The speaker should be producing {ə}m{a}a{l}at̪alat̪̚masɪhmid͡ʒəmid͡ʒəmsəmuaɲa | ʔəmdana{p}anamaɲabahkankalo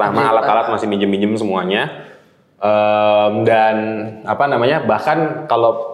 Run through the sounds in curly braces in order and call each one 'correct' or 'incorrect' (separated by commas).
incorrect, correct, correct, correct